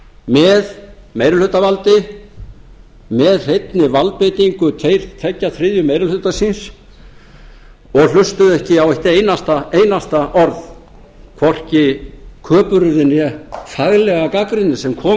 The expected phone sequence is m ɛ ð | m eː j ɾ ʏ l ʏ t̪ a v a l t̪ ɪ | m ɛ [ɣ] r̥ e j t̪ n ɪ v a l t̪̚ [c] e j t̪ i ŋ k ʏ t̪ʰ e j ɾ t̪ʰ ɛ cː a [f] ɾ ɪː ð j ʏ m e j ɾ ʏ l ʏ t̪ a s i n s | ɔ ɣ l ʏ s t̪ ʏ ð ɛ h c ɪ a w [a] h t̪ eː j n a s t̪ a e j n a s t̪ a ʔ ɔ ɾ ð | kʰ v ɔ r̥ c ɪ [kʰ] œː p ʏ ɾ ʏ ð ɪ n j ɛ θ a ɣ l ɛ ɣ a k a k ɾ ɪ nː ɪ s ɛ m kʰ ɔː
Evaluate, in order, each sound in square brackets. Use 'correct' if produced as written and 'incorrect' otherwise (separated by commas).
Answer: incorrect, incorrect, incorrect, incorrect, correct